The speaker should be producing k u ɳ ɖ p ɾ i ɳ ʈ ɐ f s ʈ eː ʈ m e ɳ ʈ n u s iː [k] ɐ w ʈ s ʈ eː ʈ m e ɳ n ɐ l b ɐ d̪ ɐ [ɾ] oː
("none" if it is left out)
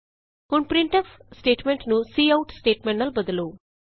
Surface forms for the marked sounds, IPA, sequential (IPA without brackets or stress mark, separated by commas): none, l